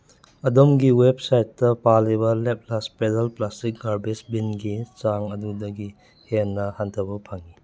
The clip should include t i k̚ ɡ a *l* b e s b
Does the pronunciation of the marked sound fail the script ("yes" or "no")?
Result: yes